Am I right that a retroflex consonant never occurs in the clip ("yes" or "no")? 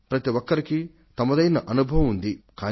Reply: yes